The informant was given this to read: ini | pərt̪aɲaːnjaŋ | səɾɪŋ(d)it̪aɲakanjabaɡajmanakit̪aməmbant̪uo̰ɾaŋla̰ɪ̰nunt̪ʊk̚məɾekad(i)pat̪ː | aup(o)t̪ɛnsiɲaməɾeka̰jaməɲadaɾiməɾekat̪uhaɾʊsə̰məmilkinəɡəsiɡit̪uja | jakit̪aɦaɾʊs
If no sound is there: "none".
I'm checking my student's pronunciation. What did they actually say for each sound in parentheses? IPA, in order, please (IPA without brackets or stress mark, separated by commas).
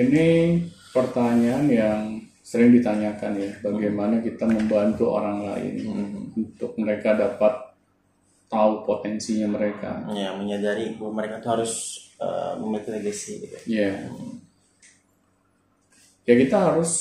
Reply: d, a, o